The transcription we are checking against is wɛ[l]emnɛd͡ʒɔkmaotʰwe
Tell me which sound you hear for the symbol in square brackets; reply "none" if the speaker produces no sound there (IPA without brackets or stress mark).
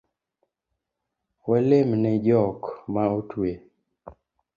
l